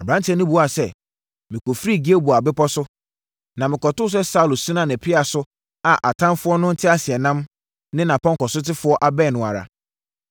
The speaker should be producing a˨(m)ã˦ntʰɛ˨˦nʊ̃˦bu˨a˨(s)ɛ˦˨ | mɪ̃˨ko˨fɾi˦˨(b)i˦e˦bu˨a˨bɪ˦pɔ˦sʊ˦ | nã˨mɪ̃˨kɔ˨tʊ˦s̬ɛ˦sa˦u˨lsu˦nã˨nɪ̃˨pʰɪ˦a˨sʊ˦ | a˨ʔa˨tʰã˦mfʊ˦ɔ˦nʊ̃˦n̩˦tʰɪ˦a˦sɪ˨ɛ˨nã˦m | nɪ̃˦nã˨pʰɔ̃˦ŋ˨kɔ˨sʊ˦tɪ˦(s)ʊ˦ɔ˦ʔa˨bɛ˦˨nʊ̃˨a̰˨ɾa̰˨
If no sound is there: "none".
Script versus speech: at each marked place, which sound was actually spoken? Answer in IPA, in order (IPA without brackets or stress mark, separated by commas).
b, s, ɡ, f